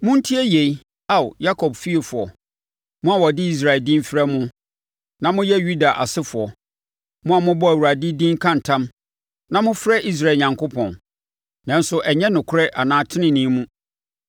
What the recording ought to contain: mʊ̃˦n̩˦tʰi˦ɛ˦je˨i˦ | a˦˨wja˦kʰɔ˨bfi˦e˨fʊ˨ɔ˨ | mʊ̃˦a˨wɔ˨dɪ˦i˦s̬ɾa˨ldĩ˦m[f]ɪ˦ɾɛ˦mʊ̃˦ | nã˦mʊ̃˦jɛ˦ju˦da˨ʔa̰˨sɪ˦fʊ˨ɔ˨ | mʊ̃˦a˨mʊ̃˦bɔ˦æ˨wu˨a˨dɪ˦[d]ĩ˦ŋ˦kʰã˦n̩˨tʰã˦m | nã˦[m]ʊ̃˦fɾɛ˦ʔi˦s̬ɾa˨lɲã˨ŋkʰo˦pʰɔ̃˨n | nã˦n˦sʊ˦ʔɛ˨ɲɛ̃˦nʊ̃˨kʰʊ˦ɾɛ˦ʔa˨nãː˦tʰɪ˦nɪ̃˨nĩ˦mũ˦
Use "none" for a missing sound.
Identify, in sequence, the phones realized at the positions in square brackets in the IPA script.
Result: f, d, m

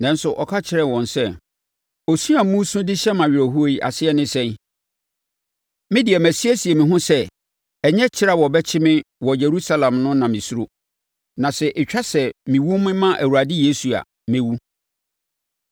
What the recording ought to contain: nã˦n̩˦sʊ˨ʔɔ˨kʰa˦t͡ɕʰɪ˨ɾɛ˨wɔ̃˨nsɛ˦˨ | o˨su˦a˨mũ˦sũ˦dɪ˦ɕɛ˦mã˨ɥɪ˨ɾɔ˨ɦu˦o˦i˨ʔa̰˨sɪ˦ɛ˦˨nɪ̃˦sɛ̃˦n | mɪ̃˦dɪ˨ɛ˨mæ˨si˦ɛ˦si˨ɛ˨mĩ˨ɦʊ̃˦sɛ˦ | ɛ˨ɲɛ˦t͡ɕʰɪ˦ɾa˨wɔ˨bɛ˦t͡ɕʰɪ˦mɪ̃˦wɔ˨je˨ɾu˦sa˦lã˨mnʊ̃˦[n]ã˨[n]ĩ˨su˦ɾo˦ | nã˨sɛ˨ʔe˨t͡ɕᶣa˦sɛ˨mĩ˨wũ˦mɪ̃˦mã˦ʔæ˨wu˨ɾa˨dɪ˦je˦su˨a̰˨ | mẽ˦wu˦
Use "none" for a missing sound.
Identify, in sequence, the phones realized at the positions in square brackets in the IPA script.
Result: n, m

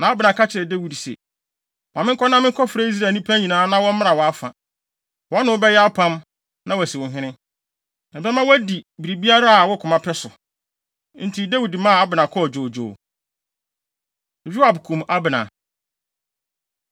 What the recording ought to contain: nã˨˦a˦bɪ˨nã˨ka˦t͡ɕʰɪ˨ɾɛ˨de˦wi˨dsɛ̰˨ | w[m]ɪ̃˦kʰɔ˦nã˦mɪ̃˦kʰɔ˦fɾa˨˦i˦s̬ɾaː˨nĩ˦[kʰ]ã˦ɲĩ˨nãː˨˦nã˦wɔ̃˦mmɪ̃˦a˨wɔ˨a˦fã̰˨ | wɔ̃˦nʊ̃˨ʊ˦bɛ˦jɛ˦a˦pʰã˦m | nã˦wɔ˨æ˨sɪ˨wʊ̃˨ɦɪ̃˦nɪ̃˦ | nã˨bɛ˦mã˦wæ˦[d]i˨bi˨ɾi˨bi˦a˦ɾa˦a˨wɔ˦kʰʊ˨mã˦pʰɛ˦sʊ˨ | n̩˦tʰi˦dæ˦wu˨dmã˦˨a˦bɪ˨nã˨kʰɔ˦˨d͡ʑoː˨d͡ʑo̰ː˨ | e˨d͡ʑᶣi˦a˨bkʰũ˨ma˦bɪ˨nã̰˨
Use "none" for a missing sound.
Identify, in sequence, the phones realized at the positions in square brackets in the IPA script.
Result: m, pʰ, d

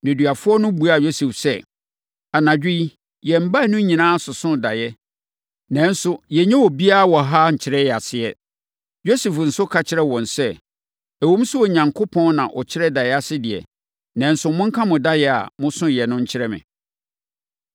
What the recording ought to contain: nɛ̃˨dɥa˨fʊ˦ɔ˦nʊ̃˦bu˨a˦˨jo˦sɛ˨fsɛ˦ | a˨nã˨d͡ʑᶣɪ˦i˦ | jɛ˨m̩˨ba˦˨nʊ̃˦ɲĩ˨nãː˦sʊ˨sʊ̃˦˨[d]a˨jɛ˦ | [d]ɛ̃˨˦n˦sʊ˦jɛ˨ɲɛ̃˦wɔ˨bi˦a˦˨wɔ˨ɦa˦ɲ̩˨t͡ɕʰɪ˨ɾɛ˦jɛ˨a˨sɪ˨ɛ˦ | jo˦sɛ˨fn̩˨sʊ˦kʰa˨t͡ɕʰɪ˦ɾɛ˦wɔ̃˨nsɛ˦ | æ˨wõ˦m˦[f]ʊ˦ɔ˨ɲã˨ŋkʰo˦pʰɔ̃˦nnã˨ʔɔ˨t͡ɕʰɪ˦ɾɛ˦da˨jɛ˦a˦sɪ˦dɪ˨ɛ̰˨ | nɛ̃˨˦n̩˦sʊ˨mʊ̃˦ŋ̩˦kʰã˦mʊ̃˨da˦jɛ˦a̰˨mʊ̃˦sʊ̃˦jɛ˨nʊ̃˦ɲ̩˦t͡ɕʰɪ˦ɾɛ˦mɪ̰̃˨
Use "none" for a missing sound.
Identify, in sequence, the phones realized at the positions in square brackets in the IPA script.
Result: d, n, s

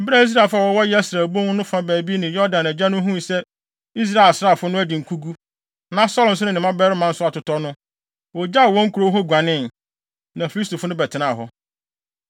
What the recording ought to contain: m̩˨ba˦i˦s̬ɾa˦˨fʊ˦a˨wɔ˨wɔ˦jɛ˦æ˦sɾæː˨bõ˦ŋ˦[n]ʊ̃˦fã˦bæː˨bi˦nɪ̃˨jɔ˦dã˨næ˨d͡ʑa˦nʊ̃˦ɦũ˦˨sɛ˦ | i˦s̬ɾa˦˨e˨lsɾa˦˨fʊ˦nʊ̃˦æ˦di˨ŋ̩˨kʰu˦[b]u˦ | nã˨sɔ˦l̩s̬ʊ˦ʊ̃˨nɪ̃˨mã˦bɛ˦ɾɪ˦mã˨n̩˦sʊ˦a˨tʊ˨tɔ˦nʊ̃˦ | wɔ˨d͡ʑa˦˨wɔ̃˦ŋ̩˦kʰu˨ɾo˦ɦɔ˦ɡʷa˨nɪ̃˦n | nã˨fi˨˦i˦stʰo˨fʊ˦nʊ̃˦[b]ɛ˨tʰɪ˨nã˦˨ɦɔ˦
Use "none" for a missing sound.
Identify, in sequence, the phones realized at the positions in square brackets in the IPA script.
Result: n, ɡ, b

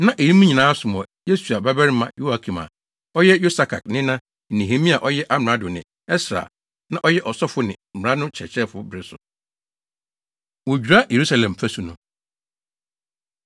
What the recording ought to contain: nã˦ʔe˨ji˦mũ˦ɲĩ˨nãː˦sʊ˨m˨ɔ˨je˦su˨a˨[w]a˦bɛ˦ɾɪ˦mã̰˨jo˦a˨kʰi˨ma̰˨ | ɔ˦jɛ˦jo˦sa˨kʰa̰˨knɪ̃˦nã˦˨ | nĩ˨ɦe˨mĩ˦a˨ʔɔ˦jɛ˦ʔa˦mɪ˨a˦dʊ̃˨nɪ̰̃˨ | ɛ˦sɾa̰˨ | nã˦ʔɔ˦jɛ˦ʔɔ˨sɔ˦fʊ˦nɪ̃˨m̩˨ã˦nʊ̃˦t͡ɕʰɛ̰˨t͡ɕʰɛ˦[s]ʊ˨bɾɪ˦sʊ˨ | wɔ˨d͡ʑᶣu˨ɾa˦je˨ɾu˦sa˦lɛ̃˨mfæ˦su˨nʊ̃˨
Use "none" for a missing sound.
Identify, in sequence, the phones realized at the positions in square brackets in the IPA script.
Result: b, f

